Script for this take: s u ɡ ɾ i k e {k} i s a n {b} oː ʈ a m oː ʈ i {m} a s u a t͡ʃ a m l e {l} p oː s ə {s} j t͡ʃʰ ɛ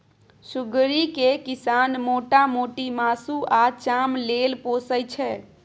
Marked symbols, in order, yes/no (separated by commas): yes, no, yes, yes, no